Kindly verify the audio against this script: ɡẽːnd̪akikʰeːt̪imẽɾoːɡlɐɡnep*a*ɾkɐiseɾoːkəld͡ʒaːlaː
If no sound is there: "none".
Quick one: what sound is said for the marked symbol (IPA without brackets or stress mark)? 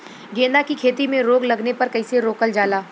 ɐ